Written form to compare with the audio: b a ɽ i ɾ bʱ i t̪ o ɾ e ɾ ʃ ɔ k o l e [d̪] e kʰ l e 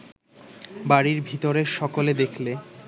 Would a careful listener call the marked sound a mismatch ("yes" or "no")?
no